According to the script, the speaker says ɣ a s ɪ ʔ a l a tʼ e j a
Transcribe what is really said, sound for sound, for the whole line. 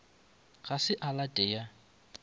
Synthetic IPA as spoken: ɣ a s ɪ ʔ a l a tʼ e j a